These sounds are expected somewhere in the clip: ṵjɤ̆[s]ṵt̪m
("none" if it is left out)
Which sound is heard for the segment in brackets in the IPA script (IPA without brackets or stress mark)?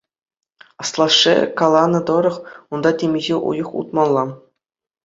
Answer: χ